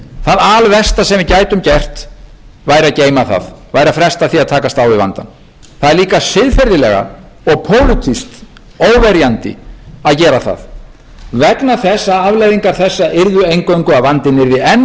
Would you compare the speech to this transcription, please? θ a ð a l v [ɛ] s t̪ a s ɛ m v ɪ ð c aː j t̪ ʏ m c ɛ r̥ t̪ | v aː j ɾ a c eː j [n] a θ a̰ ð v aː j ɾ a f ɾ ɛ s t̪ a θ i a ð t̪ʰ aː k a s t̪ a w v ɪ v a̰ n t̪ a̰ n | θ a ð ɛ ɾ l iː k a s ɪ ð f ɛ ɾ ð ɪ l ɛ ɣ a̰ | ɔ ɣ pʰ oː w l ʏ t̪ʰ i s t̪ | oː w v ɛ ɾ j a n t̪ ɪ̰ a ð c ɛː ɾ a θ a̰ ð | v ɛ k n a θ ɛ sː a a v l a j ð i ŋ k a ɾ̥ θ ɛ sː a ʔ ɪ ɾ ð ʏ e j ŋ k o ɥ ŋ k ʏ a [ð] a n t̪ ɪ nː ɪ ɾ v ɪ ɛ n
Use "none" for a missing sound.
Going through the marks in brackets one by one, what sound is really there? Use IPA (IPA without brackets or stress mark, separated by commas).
ɛ, m, v